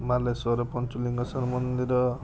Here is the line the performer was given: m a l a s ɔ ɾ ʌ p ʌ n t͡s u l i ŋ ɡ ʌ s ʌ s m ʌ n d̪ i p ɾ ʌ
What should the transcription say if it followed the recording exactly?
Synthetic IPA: m a l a s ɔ ɾ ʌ p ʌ n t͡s u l i ŋ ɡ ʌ s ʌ m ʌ n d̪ i ɾ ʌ